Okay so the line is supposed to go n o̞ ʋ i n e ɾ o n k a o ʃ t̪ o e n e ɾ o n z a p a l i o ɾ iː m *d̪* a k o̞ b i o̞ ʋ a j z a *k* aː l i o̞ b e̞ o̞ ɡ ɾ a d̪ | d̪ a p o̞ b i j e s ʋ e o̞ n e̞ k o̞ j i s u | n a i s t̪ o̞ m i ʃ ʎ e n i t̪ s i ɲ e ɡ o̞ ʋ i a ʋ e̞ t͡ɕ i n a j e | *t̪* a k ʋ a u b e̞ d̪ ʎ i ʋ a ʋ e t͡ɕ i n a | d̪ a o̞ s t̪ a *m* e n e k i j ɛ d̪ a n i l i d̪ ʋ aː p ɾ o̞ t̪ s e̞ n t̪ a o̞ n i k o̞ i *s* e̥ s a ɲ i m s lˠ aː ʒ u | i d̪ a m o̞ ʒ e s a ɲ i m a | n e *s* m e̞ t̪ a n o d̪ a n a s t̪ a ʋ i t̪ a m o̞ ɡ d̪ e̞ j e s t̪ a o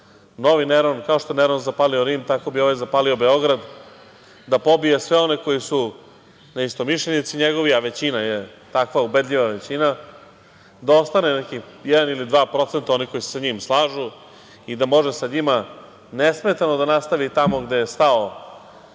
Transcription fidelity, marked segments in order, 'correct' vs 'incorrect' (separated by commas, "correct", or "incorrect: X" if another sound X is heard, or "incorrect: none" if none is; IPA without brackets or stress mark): incorrect: t̪, incorrect: p, correct, incorrect: n, correct, correct